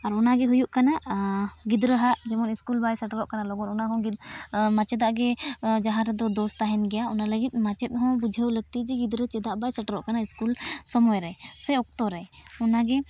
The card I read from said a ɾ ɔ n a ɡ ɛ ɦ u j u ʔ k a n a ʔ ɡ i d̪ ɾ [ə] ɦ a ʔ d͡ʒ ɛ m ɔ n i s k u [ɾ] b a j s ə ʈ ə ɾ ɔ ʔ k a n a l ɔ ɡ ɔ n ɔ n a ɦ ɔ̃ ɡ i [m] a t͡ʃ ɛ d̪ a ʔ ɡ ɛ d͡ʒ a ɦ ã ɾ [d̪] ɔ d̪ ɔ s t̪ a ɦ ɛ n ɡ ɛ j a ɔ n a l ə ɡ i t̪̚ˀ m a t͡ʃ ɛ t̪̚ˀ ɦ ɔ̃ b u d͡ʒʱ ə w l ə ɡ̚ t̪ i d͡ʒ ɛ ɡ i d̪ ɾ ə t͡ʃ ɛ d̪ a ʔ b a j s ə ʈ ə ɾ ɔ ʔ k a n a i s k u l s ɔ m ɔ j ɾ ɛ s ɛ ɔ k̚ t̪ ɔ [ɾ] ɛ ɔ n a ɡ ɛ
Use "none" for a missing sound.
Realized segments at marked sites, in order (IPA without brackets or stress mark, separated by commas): ə, l, m, d̪, ɾ